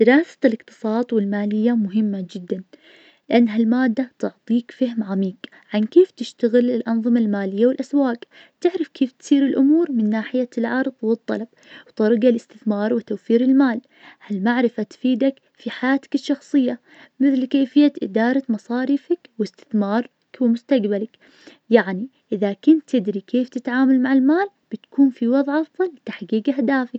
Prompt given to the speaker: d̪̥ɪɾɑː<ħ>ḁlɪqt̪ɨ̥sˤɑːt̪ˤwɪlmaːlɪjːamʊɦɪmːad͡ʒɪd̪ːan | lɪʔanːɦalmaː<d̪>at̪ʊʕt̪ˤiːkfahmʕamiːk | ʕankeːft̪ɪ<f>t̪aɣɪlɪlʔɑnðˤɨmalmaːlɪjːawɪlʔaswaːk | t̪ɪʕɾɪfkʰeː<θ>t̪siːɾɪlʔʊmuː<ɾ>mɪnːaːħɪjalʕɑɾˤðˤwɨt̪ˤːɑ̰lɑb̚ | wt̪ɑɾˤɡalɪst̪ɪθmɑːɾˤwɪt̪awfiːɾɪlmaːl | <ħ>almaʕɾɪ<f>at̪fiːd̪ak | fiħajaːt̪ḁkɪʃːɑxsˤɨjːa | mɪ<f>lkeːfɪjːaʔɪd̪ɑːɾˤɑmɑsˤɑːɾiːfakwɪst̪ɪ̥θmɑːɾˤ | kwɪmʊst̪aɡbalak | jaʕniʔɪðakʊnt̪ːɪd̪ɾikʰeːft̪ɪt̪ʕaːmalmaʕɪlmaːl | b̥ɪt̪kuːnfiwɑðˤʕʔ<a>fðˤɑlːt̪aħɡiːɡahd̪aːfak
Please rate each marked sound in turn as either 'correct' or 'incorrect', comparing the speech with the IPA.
incorrect: s, incorrect: d̪ː, incorrect: ʃ, incorrect: f, correct, incorrect: h, correct, incorrect: θ, incorrect: ɑ

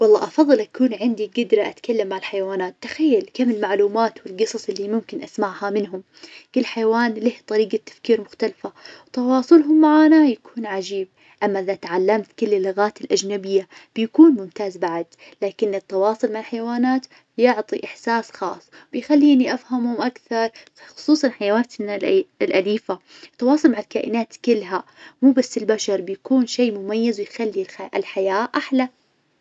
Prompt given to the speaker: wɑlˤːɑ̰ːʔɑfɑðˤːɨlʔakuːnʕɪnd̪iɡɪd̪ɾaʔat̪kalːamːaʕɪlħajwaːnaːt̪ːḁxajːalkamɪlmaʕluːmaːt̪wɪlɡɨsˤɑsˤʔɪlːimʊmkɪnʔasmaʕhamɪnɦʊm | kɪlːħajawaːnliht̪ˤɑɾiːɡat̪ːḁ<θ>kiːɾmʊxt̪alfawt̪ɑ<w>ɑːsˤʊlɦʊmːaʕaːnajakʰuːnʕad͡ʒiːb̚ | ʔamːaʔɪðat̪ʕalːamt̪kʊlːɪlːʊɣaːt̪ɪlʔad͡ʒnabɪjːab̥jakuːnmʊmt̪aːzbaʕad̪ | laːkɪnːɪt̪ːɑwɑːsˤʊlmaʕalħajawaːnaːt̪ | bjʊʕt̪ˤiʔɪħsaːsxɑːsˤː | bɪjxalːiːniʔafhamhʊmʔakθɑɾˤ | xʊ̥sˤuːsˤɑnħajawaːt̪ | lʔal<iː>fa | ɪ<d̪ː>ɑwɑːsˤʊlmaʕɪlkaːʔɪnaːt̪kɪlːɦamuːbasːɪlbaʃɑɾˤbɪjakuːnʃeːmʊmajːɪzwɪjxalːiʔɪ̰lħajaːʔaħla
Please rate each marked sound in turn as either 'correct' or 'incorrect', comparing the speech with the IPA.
incorrect: f, correct, correct, incorrect: t̪ː

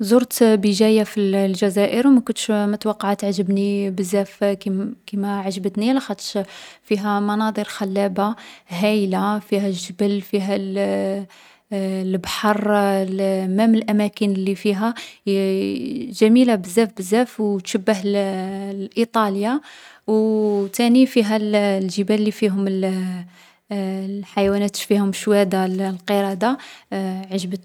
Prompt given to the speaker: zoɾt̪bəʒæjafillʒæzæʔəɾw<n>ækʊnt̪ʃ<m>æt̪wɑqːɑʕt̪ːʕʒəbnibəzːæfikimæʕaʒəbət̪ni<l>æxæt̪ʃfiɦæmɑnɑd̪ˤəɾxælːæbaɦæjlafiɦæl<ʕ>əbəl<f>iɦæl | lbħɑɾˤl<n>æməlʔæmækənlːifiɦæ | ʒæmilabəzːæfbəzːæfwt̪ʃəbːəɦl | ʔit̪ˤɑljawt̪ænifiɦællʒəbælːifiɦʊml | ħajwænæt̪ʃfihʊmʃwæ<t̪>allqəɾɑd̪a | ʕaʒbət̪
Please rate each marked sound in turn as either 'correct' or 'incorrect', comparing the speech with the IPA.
incorrect: m, correct, correct, incorrect: ʒ, correct, incorrect: m, incorrect: d̪

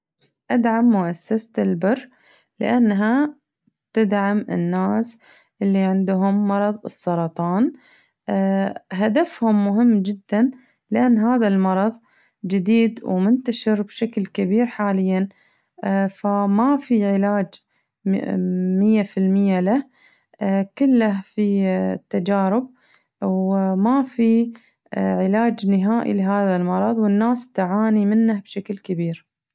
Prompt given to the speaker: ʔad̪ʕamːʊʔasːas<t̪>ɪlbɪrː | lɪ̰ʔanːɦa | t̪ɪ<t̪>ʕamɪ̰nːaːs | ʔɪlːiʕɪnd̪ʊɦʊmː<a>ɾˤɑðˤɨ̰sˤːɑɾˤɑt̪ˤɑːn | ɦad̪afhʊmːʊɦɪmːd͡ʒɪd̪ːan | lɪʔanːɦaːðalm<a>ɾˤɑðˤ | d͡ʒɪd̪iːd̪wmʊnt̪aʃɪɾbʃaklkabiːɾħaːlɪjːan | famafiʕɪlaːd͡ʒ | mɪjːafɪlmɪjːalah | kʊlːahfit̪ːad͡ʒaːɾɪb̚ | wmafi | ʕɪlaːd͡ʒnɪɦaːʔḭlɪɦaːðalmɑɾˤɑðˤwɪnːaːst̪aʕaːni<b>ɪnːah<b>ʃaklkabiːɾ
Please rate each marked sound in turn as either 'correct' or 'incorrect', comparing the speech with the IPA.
correct, incorrect: d̪, incorrect: ɑ, incorrect: ɑ, incorrect: m, correct

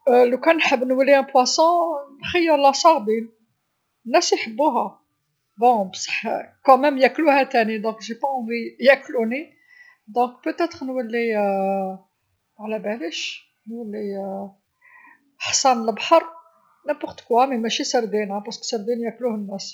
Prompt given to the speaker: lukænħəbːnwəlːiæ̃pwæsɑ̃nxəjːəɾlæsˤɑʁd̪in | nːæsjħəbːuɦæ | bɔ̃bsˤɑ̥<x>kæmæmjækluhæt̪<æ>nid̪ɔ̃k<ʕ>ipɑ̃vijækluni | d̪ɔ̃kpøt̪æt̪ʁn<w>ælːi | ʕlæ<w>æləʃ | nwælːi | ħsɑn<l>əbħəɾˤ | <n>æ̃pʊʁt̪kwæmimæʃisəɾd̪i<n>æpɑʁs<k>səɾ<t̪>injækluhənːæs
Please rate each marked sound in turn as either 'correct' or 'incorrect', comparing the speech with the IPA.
incorrect: ħ, correct, incorrect: ʒ, correct, incorrect: b, correct, correct, correct, correct, incorrect: d̪

